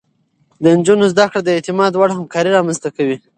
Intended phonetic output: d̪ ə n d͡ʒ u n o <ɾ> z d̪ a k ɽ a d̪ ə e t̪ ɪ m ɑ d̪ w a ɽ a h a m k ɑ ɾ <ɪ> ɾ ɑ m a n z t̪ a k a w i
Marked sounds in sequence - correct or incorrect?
incorrect: none, incorrect: i

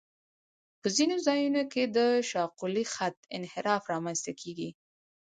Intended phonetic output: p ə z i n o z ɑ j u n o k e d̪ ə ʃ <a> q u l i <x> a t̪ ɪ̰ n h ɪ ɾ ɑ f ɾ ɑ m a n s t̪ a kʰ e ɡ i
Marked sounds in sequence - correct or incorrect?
incorrect: ɑ, correct

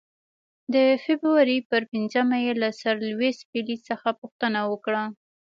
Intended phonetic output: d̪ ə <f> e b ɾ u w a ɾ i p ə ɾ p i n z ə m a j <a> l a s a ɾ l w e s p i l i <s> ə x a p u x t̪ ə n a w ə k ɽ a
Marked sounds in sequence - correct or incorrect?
correct, incorrect: e, correct

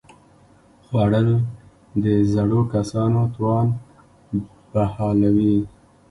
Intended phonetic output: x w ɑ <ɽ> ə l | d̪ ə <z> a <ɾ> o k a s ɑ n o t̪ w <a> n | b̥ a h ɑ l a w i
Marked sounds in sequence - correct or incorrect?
correct, correct, incorrect: ɽ, incorrect: ɑ

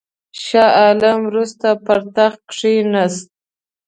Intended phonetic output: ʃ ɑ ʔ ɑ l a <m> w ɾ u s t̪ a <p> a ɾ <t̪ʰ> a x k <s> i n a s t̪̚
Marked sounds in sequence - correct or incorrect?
correct, correct, incorrect: t̪, incorrect: ʂ

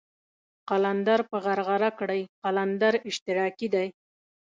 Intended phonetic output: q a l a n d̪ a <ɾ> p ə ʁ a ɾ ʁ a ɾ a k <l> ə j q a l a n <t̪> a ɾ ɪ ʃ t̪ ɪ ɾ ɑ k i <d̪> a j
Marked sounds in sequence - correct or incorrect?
correct, incorrect: ɽ, incorrect: d̪, correct

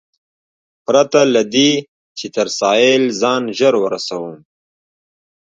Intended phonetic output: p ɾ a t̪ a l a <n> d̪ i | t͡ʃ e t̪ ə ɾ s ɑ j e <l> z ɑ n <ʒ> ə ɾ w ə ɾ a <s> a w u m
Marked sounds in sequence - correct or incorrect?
incorrect: none, correct, correct, correct

